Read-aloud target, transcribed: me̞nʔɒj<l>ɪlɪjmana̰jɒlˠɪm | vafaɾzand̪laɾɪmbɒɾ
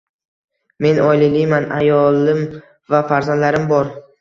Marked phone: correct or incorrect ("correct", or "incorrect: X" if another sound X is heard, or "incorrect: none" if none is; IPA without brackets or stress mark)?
correct